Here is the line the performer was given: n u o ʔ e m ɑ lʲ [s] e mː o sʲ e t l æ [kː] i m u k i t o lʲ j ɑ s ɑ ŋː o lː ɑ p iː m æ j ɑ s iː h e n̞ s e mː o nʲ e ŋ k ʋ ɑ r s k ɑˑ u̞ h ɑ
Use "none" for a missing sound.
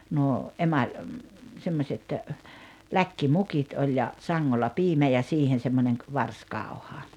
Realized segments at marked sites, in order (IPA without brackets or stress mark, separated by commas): s, kː